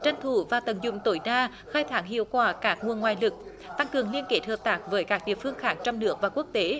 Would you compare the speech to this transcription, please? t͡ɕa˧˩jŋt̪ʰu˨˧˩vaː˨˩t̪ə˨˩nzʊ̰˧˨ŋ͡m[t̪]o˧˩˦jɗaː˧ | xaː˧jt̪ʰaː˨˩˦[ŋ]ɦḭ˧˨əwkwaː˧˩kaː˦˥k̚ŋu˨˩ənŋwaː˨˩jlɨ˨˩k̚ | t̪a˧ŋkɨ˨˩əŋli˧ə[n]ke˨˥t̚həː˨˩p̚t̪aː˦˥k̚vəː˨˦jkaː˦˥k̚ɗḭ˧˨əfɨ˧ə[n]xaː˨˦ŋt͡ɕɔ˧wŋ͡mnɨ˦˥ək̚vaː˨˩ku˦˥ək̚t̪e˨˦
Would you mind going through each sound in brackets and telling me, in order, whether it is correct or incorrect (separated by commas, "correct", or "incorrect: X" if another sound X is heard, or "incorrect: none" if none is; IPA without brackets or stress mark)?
correct, correct, correct, incorrect: ŋ